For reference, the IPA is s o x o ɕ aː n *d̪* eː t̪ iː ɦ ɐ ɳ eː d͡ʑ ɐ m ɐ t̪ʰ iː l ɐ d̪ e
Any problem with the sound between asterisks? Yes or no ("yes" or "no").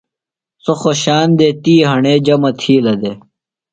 no